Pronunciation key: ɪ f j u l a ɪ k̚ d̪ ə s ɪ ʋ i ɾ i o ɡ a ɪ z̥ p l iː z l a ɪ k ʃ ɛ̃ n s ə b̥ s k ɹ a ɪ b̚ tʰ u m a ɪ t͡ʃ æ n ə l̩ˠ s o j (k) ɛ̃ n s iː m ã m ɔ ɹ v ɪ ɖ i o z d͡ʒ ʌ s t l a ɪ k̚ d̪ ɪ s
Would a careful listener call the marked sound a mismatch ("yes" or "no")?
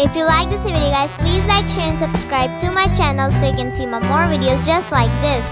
no